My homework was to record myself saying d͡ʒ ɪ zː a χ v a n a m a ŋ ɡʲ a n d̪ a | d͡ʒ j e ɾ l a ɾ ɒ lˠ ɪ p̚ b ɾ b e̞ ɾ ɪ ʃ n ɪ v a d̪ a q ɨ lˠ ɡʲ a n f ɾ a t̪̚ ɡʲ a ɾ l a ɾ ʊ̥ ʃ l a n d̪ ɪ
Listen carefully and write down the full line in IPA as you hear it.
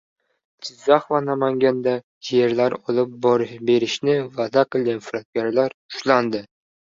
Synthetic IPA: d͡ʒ ɪ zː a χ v a n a m a ŋ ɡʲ a n d̪ a | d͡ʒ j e ɾ l a ɾ ɒ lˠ ɪ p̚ b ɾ b e̞ ɾ ɪ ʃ n ɪ v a d̪ a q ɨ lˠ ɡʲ a n f ɾ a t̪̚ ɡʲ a ɾ l a ɾ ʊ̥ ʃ l a n d̪ ɪ